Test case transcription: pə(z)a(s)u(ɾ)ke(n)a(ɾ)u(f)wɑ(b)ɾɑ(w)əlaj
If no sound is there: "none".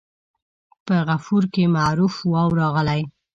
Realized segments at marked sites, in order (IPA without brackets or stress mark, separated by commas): ɣ, f, ɾ, m, ɾ, f, w, ɣ